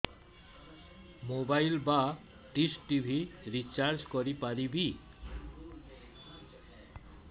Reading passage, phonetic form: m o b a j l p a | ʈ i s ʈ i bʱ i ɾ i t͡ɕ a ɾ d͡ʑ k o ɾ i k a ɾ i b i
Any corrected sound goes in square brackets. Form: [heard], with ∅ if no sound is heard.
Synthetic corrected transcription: m o b a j l [b] a | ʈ i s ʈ i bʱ i ɾ i t͡ɕ a ɾ d͡ʑ k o ɾ i [p] a ɾ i b i